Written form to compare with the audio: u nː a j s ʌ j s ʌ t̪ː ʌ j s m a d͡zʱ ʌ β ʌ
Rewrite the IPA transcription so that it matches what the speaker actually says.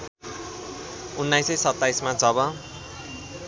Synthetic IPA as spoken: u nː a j s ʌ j s ʌ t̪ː a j s m a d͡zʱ ʌ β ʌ